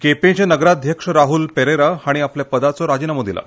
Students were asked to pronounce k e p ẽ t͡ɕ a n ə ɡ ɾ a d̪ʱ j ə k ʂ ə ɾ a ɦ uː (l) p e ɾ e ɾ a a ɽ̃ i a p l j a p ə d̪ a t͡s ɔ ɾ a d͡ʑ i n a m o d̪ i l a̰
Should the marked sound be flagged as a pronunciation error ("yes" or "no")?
no